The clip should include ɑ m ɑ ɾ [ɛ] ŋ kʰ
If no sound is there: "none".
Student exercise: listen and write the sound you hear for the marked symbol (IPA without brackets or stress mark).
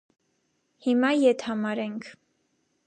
ɛ